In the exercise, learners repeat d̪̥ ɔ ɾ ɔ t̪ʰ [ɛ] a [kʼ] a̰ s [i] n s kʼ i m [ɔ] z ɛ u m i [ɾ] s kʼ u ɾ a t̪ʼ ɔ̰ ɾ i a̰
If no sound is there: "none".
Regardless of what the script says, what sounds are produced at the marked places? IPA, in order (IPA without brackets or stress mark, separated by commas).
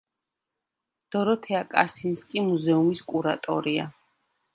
ɛ, kʼ, i, u, none